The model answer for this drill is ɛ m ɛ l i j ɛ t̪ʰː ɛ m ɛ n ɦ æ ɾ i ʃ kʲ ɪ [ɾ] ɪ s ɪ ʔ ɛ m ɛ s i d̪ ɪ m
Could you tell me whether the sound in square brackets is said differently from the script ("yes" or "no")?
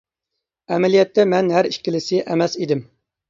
yes